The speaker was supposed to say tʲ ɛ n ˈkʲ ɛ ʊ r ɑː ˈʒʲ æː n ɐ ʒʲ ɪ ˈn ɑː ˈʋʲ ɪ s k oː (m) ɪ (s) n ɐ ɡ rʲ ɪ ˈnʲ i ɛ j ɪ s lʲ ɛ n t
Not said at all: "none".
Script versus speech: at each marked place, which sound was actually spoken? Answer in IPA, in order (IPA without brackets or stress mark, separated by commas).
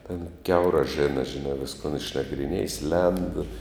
n, ʃ